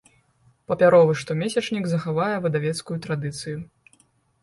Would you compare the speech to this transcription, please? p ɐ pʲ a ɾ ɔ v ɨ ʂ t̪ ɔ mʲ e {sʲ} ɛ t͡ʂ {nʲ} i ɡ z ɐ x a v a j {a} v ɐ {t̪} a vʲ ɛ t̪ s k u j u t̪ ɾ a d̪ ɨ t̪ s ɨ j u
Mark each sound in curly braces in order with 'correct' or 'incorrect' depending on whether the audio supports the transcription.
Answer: correct, correct, incorrect: ɛ, incorrect: d̪

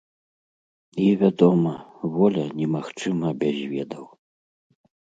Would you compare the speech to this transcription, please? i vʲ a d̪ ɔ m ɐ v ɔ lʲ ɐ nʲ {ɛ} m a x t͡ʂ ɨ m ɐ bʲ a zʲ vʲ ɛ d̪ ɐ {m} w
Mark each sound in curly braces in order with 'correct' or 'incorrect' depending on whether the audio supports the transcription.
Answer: correct, incorrect: none

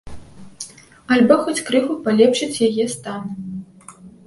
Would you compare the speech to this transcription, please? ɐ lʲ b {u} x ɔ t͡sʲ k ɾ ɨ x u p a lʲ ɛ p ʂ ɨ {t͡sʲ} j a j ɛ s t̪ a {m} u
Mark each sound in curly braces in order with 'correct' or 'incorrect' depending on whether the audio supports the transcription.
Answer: incorrect: ɔ, correct, incorrect: n

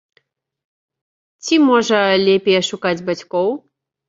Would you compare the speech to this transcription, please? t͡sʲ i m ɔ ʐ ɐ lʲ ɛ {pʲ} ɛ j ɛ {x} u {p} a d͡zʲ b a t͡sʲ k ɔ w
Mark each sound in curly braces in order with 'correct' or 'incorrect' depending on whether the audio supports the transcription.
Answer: correct, incorrect: ʂ, incorrect: k

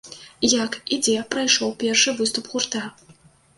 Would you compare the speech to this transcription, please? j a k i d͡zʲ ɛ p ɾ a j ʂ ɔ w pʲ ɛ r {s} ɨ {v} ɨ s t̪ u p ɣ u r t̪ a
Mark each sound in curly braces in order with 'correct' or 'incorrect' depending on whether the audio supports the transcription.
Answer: incorrect: ʂ, correct

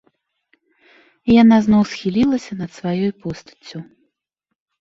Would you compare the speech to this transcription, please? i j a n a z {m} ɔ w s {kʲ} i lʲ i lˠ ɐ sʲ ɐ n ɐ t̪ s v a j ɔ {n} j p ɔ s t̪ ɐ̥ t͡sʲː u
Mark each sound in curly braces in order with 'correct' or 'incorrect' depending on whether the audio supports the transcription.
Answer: incorrect: n, incorrect: xʲ, incorrect: none

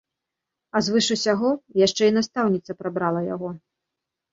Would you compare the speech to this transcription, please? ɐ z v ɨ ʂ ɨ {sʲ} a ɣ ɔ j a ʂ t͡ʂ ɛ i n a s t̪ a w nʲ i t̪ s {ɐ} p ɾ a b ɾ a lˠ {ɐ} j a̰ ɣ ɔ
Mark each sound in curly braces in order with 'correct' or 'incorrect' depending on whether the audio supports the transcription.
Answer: correct, correct, correct

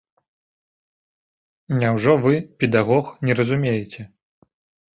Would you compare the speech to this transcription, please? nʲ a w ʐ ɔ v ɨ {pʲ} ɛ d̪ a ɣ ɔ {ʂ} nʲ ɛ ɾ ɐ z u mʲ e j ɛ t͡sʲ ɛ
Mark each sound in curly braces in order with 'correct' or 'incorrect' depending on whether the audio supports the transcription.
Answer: correct, incorrect: x

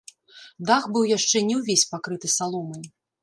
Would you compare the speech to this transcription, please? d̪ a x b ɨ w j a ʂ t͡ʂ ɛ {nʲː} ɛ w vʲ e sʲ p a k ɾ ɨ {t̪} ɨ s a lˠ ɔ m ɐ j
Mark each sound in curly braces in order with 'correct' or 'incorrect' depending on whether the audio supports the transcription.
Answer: incorrect: nʲ, correct

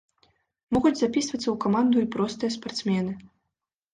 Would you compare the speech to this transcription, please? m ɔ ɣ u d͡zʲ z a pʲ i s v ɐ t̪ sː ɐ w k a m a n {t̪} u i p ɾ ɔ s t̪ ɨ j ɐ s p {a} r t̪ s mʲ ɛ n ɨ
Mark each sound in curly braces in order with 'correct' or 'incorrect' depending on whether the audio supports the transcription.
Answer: incorrect: d̪, correct

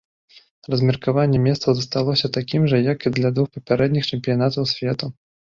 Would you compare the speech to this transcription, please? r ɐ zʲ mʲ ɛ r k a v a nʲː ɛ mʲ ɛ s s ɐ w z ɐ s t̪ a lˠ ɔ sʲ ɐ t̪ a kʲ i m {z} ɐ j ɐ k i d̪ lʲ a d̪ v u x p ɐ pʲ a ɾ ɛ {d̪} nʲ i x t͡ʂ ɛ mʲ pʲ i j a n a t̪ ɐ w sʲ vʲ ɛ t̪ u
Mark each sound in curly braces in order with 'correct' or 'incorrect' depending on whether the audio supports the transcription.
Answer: incorrect: ʐ, correct

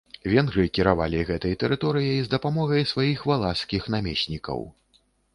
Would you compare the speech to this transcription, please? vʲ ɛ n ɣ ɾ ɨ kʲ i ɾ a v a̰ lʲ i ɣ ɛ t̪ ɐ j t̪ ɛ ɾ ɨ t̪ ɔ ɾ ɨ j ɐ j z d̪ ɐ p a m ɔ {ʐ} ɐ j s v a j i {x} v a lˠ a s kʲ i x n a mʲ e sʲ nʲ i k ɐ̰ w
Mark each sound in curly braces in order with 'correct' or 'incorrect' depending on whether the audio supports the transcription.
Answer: incorrect: ɣ, correct

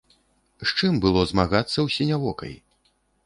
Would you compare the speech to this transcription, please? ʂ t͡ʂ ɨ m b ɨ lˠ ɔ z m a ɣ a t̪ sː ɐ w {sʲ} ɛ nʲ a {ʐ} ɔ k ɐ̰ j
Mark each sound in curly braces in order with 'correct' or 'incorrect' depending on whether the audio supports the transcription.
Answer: correct, incorrect: v

